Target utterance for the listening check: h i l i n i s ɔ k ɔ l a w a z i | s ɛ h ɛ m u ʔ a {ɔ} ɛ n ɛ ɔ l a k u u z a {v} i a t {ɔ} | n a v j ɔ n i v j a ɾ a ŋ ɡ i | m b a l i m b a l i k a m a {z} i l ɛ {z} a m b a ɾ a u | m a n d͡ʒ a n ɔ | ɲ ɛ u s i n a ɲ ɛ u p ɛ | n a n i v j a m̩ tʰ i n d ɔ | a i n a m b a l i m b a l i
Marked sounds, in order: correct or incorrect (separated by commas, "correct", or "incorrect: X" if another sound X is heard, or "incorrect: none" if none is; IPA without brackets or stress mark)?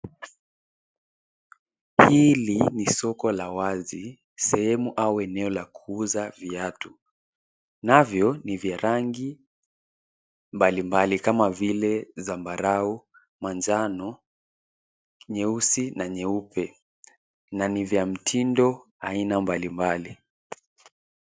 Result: incorrect: u, correct, incorrect: u, incorrect: v, correct